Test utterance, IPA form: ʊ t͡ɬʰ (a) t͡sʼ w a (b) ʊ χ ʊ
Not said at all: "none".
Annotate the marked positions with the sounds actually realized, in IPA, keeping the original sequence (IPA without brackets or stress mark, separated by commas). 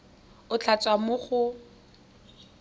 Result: a, m